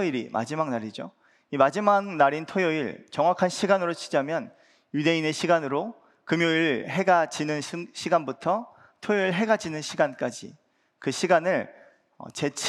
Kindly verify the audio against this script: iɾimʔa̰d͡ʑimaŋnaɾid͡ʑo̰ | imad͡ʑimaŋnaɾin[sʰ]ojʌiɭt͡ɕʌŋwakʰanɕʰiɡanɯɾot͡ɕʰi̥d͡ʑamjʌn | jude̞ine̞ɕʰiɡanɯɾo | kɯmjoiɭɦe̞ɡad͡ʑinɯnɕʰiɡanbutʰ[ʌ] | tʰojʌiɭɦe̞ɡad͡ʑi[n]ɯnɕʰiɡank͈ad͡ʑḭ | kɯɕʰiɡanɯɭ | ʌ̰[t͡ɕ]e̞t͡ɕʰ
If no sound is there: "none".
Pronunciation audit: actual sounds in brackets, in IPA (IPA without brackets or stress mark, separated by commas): tʰ, ʌ, n, t͡ɕ